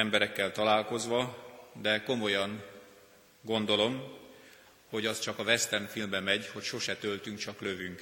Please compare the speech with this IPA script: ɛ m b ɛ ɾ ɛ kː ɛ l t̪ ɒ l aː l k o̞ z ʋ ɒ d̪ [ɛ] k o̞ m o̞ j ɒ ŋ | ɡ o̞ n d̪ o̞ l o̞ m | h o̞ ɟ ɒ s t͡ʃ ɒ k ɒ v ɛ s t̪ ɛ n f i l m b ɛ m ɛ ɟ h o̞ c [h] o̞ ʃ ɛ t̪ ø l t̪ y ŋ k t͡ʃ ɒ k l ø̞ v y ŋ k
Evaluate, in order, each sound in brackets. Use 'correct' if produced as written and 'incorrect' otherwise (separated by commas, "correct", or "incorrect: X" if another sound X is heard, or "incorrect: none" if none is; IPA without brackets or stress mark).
correct, incorrect: ʃ